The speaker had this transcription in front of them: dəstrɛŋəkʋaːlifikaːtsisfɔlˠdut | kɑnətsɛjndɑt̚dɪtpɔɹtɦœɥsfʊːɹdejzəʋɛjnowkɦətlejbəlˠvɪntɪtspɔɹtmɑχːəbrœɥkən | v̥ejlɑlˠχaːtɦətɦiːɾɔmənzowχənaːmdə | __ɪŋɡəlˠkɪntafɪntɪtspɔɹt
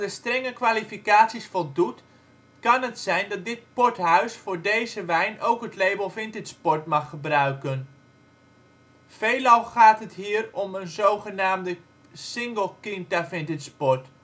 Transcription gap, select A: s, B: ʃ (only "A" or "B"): A